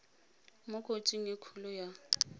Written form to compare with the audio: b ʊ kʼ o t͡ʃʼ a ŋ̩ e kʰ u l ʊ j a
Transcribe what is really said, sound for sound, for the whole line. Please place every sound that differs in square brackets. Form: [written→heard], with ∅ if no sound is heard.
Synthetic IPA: [b→m] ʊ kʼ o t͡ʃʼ [a→i] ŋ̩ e kʰ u l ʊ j a

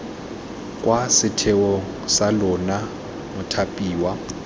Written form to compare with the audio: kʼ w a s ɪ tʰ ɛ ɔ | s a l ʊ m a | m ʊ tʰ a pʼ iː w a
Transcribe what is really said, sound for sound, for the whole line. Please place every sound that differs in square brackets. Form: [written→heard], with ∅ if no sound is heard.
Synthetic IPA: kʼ w a s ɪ tʰ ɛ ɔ | s a l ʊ [m→n] a | m ʊ tʰ a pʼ iː w a

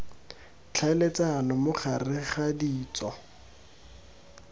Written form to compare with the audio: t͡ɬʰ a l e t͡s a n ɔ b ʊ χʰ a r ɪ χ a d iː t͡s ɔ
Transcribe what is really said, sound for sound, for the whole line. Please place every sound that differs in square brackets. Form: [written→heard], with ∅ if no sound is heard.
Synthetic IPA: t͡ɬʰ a l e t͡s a n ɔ [b→m] ʊ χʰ a r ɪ χ a d iː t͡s ɔ

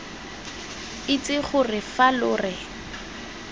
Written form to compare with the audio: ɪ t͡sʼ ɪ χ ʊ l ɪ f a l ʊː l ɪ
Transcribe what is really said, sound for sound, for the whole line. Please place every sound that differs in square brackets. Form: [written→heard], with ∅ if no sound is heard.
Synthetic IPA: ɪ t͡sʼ ɪ χ ʊ [l→r] ɪ f a l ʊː [l→r] ɪ

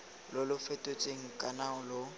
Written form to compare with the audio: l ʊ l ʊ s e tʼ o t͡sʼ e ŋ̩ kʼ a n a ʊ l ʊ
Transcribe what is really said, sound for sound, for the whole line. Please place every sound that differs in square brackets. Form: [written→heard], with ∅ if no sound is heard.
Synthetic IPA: l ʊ l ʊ [s→f] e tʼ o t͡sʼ e ŋ̩ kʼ a n a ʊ l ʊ

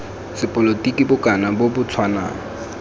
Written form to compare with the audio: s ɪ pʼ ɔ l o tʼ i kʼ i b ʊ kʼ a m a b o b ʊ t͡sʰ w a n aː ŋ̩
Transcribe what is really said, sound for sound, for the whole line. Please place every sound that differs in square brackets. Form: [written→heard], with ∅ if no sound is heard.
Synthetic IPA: s ɪ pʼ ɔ l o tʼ i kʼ i b ʊ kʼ a [m→n] a b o b ʊ t͡sʰ w a n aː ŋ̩

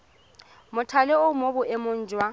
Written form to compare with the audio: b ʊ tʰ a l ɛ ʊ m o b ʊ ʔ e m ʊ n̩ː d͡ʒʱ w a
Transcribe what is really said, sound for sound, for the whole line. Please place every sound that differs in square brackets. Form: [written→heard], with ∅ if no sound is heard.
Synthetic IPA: [b→m] ʊ tʰ a l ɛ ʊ m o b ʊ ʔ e m ʊ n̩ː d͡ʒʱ w a

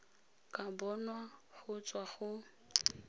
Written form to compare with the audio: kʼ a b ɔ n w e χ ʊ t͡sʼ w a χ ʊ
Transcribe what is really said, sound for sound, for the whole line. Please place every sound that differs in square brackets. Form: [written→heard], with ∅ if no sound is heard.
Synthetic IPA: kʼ a b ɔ n w [e→a] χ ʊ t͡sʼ w a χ ʊ

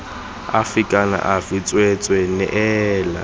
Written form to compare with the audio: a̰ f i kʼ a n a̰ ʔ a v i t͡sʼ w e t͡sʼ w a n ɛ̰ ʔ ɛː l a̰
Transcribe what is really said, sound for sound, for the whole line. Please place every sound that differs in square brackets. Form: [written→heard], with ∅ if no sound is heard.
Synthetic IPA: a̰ f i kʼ a n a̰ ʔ a v i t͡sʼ w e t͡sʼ w [a→ɛ] n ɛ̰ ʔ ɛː l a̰

